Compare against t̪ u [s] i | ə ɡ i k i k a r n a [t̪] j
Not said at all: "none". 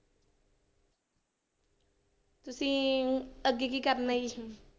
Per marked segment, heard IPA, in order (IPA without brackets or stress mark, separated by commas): s, none